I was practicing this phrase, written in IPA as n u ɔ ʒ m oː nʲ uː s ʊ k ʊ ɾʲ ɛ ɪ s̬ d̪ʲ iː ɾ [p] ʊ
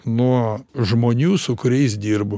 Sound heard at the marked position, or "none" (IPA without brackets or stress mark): b